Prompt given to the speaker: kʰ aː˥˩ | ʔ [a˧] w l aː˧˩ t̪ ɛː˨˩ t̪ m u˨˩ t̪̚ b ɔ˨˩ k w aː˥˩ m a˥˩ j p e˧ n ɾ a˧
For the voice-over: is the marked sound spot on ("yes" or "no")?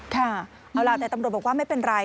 yes